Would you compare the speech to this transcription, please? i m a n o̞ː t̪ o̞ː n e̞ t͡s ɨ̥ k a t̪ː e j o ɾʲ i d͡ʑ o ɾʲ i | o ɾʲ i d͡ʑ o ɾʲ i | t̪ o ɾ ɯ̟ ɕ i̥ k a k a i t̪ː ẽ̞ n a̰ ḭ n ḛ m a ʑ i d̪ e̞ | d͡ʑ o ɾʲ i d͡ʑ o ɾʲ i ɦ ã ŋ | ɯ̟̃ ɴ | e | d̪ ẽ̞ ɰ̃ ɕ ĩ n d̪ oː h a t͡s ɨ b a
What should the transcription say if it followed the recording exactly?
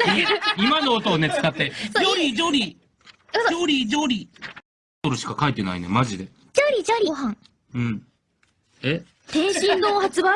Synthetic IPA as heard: i m a n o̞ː t̪ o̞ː n e̞ t͡s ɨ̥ k a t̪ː e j o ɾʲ i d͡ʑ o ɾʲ i | o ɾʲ i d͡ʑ o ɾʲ i | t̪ o ɾ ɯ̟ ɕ i̥ k a k a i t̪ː e̞ n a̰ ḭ n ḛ m a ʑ i d̪ e̞ | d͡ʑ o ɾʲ i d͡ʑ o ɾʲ i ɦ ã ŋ | ɯ̟̃ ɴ | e | t̪ ẽ̞ ɰ̃ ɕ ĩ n d̪ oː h a t͡s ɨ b a